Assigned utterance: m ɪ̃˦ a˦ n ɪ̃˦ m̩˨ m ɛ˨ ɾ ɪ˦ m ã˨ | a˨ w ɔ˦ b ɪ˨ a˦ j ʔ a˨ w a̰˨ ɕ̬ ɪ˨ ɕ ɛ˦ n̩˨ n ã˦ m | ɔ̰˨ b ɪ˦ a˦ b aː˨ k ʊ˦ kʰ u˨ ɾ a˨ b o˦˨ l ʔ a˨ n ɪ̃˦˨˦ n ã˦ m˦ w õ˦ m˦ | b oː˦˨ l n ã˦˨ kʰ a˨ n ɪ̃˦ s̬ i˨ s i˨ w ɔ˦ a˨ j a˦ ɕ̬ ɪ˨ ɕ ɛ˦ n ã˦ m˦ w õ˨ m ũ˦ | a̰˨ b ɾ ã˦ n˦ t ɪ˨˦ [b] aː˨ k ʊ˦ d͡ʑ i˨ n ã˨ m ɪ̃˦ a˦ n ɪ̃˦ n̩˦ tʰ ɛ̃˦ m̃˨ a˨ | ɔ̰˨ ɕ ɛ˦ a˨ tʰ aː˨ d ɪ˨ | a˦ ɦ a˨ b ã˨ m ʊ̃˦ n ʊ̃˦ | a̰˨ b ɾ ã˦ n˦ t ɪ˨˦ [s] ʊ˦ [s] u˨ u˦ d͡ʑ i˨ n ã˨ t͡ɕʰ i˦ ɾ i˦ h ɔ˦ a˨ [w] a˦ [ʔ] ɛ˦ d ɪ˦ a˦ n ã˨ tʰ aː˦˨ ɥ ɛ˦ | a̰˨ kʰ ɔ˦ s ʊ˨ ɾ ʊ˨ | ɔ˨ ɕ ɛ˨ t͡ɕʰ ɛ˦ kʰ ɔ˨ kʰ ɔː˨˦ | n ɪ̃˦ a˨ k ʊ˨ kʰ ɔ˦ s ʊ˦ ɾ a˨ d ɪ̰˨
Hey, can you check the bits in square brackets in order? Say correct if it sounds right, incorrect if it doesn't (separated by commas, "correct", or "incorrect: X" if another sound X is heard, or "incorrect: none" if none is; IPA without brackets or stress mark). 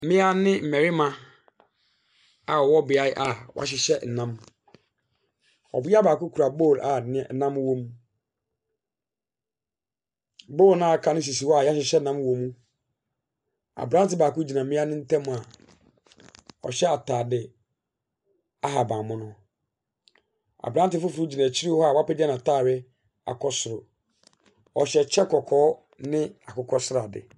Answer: correct, incorrect: f, incorrect: f, correct, incorrect: p